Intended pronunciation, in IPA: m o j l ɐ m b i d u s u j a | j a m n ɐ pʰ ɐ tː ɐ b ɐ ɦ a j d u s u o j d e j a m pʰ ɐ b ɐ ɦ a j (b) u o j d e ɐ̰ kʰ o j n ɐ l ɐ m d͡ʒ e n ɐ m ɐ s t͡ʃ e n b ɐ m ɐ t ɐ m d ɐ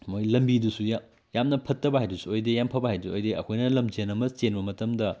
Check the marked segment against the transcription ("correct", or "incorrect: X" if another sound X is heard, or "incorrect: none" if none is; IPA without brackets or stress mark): incorrect: d